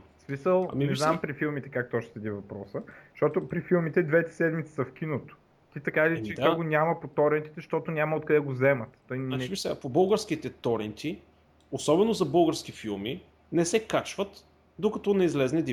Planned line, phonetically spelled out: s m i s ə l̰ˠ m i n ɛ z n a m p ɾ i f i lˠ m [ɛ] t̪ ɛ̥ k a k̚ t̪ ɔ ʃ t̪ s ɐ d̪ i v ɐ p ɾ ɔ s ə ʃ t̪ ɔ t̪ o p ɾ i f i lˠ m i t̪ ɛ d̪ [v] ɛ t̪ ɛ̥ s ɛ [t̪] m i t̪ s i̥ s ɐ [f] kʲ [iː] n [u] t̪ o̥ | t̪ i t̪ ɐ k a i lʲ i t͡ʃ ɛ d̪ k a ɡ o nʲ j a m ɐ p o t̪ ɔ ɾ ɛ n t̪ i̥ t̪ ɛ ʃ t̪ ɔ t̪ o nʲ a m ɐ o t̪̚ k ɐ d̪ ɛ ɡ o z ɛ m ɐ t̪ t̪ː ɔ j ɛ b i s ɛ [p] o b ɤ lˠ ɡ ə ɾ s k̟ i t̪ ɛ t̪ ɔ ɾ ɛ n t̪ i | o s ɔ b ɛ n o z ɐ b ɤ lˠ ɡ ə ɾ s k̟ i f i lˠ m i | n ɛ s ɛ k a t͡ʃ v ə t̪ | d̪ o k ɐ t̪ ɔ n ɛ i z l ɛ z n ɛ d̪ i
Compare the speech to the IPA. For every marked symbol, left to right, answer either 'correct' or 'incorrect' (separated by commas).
incorrect, correct, incorrect, correct, incorrect, incorrect, correct